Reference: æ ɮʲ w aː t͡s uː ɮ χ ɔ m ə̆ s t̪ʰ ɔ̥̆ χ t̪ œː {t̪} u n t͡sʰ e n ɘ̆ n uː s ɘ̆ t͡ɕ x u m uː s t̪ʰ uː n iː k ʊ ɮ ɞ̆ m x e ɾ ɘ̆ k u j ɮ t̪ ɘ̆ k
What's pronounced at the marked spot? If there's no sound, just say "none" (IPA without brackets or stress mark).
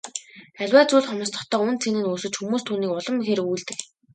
none